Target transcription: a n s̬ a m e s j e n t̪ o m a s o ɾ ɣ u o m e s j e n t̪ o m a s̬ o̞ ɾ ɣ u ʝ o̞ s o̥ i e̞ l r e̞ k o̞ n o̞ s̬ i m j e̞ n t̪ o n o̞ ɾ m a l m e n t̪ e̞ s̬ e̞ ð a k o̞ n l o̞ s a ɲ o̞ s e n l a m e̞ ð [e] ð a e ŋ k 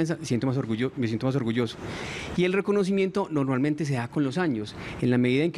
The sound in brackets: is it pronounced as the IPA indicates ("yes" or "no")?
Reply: no